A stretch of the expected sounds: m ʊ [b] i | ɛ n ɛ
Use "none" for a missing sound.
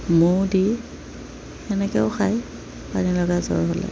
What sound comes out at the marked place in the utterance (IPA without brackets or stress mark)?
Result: d